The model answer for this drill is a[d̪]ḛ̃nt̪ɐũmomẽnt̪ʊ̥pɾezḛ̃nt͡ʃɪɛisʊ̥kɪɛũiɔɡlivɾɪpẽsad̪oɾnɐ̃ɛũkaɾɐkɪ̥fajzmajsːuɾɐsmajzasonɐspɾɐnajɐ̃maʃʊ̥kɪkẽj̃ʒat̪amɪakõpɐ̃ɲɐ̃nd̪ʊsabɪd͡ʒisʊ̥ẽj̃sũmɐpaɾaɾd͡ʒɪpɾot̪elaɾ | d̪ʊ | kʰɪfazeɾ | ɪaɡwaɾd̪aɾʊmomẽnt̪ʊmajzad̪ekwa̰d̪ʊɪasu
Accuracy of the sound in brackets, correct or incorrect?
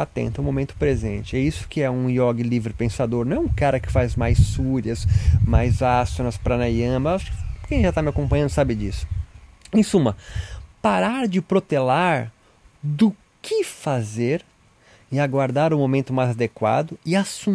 incorrect